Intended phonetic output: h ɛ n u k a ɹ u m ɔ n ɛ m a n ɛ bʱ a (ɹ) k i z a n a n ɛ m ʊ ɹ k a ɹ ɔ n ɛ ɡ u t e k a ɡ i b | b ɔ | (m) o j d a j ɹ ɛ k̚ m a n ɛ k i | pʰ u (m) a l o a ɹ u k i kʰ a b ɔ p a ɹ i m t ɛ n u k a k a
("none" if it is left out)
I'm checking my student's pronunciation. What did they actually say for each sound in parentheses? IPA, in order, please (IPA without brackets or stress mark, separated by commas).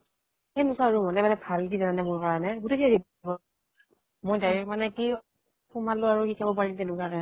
l, m, m